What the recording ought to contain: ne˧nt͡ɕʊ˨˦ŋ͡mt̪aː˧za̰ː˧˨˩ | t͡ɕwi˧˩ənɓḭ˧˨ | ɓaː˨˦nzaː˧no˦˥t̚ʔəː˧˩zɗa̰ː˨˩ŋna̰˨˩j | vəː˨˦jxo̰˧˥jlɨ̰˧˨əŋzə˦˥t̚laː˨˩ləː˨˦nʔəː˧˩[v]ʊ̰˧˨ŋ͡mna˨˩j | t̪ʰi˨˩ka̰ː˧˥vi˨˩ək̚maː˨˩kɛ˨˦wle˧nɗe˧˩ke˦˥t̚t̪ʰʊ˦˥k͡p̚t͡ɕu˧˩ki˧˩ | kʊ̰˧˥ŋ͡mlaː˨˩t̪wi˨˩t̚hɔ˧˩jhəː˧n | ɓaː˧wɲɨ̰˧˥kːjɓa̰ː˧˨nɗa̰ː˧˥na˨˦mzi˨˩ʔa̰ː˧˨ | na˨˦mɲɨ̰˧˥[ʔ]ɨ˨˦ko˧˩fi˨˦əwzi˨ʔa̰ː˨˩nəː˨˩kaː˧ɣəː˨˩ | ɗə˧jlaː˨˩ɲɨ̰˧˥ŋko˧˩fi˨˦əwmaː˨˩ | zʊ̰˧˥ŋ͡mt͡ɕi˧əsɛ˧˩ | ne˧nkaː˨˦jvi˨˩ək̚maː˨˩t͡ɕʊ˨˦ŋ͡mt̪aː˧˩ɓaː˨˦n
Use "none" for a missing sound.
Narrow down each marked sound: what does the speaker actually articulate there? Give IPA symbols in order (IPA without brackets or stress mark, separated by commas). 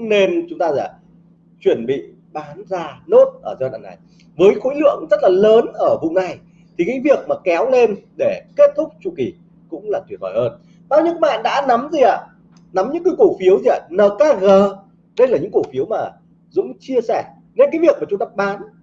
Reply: v, k